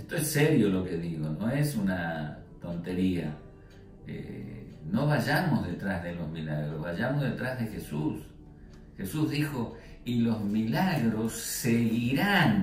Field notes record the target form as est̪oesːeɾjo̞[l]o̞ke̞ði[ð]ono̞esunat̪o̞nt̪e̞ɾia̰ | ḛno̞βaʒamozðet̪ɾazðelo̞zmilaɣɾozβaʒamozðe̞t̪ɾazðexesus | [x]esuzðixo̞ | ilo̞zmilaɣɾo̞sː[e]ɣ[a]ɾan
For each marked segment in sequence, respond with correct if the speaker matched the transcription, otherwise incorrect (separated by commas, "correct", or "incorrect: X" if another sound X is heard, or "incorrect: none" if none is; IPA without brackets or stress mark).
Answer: correct, incorrect: ɣ, correct, correct, incorrect: i